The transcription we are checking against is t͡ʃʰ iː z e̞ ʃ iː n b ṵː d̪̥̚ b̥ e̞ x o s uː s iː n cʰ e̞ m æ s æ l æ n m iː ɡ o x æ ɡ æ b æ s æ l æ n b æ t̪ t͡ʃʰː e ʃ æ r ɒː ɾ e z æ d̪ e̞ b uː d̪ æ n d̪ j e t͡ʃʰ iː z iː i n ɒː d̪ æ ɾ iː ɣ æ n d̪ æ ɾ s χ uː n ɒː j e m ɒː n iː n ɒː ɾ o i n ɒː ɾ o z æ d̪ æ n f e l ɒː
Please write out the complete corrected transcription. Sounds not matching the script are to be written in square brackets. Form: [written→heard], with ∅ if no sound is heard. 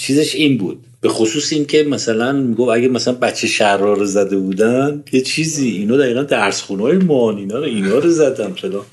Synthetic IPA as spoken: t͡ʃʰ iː z e̞ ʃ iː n b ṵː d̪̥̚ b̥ e̞ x o s uː s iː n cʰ e̞ m æ s æ l æ n m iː ɡ o [x→f] æ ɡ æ [b→m] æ s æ l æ n b æ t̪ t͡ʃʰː e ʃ æ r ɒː ɾ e z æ d̪ e̞ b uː d̪ æ n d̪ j e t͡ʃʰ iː z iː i n ɒː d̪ æ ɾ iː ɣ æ n d̪ æ ɾ s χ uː n ɒː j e m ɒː n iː n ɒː ɾ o i n ɒː ɾ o z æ d̪ æ n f e l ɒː